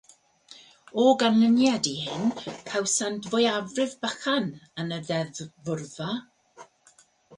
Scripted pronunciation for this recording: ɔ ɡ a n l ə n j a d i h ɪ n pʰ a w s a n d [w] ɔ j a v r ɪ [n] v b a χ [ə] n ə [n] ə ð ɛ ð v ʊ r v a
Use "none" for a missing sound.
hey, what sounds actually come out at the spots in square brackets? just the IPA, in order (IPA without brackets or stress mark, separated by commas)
v, none, a, n